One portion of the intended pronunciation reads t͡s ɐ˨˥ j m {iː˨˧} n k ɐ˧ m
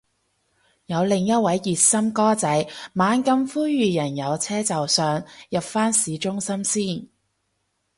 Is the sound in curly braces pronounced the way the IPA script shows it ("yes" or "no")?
no